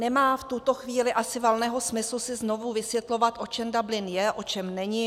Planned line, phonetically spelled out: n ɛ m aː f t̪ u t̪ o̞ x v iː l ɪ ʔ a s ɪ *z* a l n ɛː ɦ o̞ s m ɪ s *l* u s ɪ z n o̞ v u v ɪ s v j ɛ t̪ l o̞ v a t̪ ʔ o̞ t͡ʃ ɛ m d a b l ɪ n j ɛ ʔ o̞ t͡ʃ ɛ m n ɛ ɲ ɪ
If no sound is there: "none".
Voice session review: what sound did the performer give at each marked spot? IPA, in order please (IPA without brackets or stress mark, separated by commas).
v, l